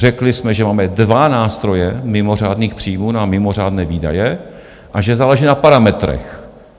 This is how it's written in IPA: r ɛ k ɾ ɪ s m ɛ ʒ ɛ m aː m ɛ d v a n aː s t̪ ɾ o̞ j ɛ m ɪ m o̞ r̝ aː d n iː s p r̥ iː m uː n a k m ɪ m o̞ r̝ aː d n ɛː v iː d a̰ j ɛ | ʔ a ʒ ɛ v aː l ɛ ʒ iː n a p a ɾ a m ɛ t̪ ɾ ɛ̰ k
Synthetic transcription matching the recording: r ɛ k l ɪ s m ɛ ʒ ɛ m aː m ɛ d v a n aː s t̪ ɾ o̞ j ɛ m ɪ m o̞ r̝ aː d n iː x p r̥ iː m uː n a m ɪ m o̞ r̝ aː d n ɛː v iː d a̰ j ɛ | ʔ a ʒ ɛ z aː l ɛ ʒ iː n a p a ɾ a m ɛ t̪ ɾ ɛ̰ x